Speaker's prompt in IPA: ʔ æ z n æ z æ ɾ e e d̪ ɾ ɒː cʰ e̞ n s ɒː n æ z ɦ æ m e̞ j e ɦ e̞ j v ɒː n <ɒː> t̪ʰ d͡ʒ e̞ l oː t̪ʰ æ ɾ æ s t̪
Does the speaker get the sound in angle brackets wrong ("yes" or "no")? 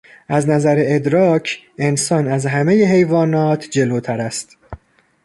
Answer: no